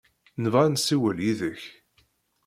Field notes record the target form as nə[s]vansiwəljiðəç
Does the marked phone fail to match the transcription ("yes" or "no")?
yes